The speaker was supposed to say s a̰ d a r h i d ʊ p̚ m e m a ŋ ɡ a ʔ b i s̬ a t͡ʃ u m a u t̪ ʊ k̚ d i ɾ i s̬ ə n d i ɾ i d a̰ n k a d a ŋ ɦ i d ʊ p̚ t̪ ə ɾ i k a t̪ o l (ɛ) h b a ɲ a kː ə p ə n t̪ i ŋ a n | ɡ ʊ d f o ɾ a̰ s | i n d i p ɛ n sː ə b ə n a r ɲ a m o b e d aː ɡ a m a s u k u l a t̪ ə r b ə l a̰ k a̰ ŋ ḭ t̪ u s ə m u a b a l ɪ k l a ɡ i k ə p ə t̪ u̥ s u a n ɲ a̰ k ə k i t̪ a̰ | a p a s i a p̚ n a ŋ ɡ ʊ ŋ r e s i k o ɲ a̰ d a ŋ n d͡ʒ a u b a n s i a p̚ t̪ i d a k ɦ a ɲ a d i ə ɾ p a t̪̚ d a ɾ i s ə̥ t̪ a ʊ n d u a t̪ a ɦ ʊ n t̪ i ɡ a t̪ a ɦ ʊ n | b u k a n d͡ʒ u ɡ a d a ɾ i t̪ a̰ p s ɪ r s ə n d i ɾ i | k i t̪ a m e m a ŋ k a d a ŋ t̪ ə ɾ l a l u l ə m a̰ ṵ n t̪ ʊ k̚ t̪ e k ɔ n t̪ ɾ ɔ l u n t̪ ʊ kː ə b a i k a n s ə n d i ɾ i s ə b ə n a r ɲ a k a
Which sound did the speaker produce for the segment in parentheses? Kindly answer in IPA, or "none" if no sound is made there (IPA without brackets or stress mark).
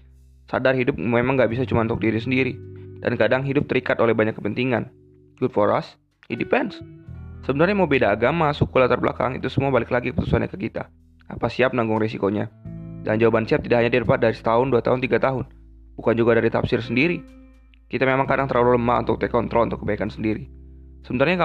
ɛ